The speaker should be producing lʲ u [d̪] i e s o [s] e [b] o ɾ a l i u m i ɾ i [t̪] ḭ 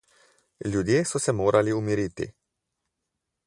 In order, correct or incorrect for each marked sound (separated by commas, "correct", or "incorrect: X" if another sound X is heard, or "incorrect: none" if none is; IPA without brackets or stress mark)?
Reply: correct, correct, incorrect: m, correct